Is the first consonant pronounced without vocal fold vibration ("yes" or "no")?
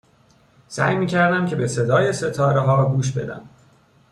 yes